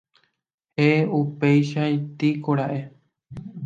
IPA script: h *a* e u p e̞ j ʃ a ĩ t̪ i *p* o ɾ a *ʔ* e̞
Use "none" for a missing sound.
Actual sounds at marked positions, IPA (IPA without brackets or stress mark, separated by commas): e, k, ʔ